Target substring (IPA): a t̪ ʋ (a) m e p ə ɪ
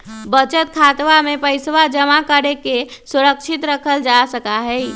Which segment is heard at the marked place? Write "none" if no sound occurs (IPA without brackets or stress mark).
a